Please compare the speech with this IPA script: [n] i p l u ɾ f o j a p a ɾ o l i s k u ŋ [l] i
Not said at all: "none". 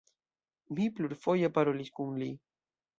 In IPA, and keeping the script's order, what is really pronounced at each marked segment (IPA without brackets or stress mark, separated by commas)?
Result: m, l